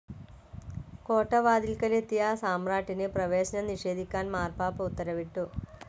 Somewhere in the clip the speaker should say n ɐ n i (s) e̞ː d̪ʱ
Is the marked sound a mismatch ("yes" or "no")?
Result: yes